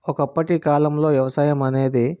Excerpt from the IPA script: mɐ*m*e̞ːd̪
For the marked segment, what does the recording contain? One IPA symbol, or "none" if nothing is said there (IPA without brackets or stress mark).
n